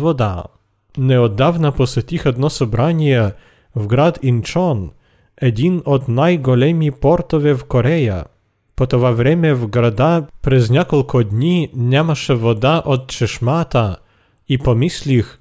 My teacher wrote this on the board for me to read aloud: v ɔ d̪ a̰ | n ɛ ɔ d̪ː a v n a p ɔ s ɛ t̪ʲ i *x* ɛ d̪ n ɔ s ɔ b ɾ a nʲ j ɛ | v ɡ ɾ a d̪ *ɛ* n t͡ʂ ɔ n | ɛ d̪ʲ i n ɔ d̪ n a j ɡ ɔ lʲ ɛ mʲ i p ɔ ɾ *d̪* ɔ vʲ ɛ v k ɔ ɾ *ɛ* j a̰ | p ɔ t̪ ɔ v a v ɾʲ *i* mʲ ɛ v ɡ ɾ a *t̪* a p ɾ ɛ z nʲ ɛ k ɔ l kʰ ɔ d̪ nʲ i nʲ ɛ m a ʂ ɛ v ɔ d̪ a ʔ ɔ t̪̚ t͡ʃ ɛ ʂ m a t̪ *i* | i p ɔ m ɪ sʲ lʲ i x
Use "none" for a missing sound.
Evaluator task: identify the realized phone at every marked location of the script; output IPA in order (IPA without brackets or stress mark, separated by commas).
x, i, t̪, ɛ, ɛ, d̪, a